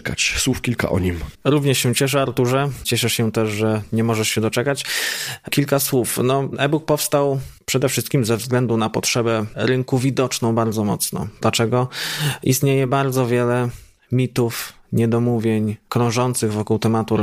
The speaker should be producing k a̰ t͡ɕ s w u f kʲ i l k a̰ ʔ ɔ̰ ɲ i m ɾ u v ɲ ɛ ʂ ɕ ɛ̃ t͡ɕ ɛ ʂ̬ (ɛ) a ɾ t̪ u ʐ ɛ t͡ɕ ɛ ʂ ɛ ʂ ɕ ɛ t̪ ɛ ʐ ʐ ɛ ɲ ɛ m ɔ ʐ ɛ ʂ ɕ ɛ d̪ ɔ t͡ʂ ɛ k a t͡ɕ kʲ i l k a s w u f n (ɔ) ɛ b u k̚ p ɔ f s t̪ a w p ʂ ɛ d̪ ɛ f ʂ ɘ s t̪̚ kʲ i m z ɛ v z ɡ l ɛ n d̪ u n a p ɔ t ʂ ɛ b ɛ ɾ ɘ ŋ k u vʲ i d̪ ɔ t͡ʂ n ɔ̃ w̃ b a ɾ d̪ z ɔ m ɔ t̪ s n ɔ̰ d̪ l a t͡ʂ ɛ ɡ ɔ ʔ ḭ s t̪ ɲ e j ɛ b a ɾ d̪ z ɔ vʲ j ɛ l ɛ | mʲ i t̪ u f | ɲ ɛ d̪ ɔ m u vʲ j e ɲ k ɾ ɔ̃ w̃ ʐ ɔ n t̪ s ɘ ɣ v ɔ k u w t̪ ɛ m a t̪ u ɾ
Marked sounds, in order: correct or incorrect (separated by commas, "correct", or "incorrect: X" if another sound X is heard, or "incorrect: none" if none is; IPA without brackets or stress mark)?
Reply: correct, correct